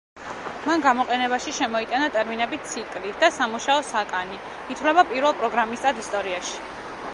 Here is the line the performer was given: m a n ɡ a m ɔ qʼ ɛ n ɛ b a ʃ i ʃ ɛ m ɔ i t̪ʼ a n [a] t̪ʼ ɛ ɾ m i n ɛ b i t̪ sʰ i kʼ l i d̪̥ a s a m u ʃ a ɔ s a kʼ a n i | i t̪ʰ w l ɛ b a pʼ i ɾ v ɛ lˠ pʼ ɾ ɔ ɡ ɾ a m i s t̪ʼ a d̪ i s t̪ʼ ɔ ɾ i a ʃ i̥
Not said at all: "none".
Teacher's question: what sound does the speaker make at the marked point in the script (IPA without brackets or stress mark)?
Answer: a